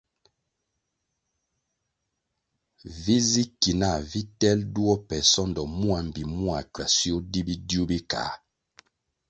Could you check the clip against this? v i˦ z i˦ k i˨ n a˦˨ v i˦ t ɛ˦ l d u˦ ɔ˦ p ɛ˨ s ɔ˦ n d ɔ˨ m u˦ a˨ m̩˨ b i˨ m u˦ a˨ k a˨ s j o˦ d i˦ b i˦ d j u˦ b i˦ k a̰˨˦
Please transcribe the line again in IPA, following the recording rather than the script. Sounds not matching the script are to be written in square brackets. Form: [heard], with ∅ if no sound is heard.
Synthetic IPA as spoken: v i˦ z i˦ k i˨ n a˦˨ v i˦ t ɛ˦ l d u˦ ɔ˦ p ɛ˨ s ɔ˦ n d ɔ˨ m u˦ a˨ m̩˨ b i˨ m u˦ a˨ k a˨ s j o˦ d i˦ b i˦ d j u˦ b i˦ k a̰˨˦